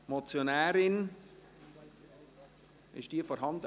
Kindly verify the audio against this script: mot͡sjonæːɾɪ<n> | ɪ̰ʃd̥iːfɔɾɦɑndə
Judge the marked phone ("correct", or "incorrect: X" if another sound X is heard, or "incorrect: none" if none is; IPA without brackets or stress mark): correct